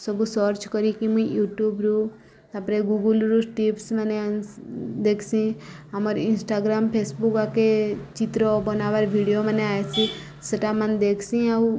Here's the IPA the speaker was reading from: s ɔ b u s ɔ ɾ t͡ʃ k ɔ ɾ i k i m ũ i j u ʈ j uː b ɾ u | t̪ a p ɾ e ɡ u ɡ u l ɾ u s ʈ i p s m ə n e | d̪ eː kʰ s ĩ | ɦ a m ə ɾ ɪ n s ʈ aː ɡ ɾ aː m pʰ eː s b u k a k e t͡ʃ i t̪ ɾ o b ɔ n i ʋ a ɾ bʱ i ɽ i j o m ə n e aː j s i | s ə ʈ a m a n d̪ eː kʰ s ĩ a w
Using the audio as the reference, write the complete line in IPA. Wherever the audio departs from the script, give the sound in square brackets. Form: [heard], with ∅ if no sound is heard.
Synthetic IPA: s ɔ b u s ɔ ɾ t͡ʃ k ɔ ɾ i k i m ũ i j u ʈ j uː b ɾ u | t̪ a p ɾ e ɡ u ɡ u l ɾ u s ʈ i p s m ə n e | d̪ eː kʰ s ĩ | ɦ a m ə ɾ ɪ n s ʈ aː ɡ ɾ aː m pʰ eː s b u k a k e t͡ʃ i t̪ ɾ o b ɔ n [a] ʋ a ɾ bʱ i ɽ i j o m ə n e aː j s i | s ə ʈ a m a n d̪ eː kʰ s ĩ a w

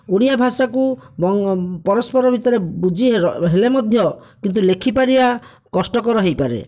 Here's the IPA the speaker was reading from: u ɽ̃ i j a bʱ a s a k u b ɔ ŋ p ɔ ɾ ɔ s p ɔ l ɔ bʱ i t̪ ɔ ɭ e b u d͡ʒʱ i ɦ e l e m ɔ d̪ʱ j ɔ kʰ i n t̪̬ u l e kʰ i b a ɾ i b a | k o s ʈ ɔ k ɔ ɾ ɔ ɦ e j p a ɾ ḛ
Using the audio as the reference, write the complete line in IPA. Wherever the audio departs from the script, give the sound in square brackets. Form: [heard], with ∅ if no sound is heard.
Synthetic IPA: u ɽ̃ i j a bʱ a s a k u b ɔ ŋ p ɔ ɾ ɔ s p ɔ [ɾ] ɔ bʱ i t̪ ɔ [ɾ] e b u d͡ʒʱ i ɦ e l e m ɔ d̪ʱ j ɔ [k] i n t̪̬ u l e kʰ i [p] a ɾ i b a | k [ɔ] s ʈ ɔ k ɔ ɾ ɔ ɦ e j p a ɾ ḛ

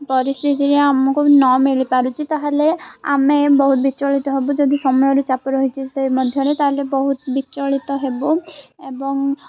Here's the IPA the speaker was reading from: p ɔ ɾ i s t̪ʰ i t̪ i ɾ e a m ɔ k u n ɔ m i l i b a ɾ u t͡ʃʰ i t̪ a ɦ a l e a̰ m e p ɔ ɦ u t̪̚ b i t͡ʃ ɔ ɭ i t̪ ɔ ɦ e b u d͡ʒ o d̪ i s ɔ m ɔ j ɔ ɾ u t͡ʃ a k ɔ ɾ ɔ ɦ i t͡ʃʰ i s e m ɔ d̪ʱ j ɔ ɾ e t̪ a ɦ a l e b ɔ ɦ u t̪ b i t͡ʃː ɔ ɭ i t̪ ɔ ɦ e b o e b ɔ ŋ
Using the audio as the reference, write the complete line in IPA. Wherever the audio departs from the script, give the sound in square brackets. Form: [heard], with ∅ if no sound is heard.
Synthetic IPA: p ɔ ɾ i s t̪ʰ i t̪ i ɾ e a m ɔ k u n ɔ m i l i [p] a ɾ u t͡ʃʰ i t̪ a ɦ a l e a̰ m e [b] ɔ ɦ u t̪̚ b i t͡ʃ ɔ ɭ i t̪ ɔ ɦ e b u d͡ʒ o d̪ i s ɔ m ɔ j ɔ ɾ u t͡ʃ a [p] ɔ ɾ ɔ ɦ i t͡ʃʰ i s e m ɔ d̪ʱ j ɔ ɾ e t̪ a ɦ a l e b ɔ ɦ u t̪ b i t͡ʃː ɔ ɭ i t̪ ɔ ɦ e b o e b ɔ ŋ

